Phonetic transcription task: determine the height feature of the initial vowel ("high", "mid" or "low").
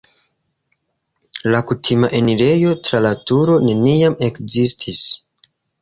low